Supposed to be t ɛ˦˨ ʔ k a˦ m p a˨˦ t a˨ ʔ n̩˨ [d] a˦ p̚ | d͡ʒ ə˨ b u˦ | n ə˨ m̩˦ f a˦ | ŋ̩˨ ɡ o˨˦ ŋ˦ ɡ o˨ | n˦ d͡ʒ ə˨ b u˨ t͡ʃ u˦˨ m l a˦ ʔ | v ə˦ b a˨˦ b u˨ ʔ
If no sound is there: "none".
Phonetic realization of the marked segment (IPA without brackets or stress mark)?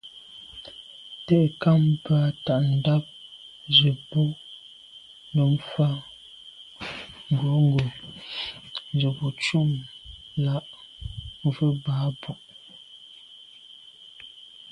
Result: d